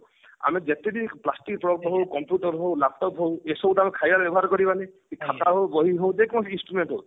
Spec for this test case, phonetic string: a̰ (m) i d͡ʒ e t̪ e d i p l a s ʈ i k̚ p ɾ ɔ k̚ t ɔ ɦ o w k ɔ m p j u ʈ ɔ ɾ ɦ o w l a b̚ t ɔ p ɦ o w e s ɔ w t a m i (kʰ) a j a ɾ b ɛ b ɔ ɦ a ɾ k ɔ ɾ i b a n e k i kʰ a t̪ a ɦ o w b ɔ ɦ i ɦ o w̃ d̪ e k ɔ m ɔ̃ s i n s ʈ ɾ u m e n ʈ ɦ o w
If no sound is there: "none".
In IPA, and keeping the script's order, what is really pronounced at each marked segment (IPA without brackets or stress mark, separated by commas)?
m, kʰ